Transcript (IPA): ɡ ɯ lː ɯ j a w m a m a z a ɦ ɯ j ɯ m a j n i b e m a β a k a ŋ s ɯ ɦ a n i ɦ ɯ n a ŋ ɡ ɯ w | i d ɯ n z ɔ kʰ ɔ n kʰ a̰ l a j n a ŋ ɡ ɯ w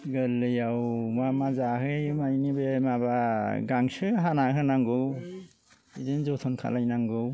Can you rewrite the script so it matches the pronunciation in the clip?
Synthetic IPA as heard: ɡ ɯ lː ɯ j a w m a m a z a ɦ ɯ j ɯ m a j n i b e m a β a ɡ a ŋ s ɯ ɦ a n a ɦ ɯ n a ŋ ɡ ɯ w | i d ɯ n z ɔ tʰ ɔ n kʰ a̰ l a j n a ŋ ɡ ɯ w